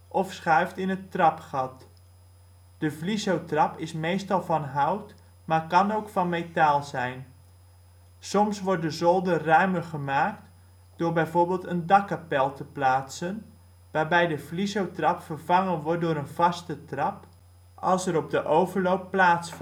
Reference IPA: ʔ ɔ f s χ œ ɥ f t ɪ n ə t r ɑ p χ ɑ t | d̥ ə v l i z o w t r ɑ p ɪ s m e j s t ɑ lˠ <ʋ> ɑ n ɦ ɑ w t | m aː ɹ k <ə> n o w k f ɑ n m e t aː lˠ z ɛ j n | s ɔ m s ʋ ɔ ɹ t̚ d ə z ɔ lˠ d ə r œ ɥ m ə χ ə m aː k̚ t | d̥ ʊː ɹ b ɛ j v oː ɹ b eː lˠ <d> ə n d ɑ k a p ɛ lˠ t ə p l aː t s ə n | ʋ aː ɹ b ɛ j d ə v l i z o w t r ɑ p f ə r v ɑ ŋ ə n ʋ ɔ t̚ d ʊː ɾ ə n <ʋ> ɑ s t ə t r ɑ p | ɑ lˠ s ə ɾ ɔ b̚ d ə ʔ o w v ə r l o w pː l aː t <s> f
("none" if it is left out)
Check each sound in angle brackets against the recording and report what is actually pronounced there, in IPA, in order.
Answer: v, ɑ, t, v, s

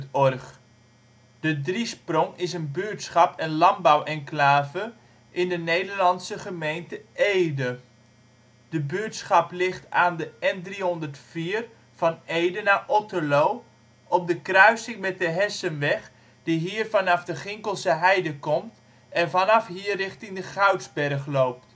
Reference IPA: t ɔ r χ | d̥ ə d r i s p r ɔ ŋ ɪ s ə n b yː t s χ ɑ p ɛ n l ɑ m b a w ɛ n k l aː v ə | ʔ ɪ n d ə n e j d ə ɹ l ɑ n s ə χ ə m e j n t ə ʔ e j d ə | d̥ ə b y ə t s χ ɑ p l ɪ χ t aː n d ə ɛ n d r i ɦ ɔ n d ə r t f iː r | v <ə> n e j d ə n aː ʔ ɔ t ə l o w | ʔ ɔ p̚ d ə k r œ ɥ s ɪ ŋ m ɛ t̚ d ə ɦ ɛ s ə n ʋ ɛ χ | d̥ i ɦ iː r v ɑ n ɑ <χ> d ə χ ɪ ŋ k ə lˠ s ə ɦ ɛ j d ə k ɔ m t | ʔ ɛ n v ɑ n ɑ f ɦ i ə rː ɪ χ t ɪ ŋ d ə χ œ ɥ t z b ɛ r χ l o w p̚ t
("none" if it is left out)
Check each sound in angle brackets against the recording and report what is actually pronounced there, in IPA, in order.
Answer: ɑ, f

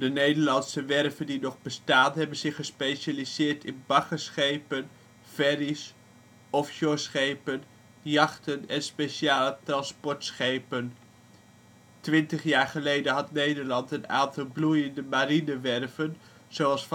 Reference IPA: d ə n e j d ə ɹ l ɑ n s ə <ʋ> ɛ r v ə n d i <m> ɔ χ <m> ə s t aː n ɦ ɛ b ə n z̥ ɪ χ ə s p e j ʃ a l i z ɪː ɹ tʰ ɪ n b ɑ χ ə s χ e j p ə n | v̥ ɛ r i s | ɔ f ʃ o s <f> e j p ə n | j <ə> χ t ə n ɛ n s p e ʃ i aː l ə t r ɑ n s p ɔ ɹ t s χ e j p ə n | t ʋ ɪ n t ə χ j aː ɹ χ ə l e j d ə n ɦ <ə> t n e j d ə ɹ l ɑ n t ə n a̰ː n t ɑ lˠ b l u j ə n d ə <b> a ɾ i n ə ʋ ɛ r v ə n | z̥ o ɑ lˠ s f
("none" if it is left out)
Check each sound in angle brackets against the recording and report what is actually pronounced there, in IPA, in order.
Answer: ʋ, n, b, χ, ɑ, ɑ, m

